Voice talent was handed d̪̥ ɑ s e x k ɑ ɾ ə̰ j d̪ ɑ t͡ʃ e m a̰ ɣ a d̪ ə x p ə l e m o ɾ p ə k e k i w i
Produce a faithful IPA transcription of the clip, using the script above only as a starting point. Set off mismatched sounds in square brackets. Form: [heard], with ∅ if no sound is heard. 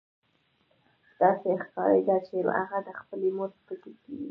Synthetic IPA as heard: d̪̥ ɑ s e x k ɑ ɾ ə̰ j d̪ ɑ t͡ʃ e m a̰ ɣ a d̪ ə x p ə l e m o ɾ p ə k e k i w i

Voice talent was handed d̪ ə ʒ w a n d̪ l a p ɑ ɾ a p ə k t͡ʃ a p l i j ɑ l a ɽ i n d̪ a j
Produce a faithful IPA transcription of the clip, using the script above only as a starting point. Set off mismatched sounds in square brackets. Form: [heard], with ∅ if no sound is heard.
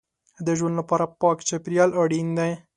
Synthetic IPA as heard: d̪ ə ʒ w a n d̪ l a p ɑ ɾ a p [ɑ] k t͡ʃ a p [ɾ] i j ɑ l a ɽ i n d̪ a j

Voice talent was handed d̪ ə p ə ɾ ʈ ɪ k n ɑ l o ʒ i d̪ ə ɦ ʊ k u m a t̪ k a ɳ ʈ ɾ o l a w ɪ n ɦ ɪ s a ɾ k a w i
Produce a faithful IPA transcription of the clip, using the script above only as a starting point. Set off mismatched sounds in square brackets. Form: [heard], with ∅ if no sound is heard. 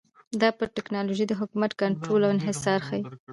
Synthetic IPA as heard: d̪ [ɑ] p ə ɾ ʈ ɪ k n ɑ l o ʒ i d̪ ə ɦ ʊ k u m a t̪ k a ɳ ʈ ɾ o l a w ɪ n ɦ ɪ s [ɑ] ɾ [x] a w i

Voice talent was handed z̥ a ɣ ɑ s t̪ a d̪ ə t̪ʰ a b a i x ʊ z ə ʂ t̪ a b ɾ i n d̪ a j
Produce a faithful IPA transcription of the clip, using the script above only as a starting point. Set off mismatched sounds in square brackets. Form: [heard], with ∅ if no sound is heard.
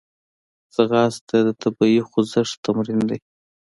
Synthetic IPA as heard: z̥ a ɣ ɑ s t̪ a d̪ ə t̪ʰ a b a i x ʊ z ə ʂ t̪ a [m] ɾ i n d̪ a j

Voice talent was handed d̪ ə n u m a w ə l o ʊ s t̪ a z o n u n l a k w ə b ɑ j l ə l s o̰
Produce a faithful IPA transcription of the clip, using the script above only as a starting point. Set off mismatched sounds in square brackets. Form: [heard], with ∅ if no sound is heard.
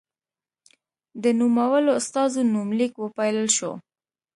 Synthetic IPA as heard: d̪ ə n u m a w ə l o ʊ s t̪ [ɑ] z o n u [m] l [i] k w ə [p] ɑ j l ə l [ʃ] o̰

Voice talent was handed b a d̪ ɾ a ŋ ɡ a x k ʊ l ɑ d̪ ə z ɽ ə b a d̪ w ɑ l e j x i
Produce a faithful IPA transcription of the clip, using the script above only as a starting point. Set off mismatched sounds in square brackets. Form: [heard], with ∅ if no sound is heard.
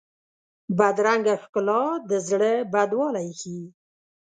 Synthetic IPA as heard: b a d̪ ɾ a ŋ ɡ a x k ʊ l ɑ d̪ ə z ɽ ə b a d̪ w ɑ l [a] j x i

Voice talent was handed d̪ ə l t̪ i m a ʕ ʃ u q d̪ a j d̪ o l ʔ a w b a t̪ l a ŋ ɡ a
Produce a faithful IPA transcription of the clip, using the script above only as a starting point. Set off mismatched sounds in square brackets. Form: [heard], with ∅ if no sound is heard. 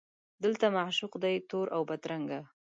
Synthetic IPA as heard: d̪ ə l t̪ [a] m a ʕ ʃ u q d̪ a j [t̪] o [ɾ] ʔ a w b a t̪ [ɾ] a ŋ ɡ a

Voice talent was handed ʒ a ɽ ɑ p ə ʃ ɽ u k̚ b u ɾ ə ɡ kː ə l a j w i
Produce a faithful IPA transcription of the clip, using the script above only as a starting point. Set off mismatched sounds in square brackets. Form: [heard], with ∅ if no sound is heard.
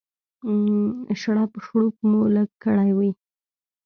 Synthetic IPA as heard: [ʃ] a ɽ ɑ p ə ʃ ɽ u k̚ [m] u [l] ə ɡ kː ə [ɽ] a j w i

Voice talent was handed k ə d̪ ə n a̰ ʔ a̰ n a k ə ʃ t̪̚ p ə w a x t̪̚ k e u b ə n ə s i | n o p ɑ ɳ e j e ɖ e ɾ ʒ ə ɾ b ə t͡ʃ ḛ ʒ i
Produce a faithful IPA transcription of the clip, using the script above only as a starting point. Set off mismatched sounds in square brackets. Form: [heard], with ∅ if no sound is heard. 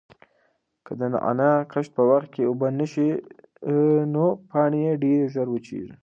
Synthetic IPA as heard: k ə d̪ ə n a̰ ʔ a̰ n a k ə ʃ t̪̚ p ə w a x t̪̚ k e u b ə n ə [ʃ] i | n o p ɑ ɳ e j e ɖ e ɾ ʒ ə ɾ [w] ə t͡ʃ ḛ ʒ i

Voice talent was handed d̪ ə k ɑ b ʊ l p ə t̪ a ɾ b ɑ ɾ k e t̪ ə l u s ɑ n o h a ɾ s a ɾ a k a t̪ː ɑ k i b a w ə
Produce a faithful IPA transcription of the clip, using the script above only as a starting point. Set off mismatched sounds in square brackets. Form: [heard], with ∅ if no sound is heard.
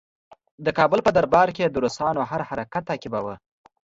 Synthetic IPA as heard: d̪ ə k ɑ b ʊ l p ə [d̪] a ɾ b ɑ ɾ k e [d̪] ə [ɾ] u s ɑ n o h a ɾ [h] a ɾ a k a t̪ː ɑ k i b a w ə

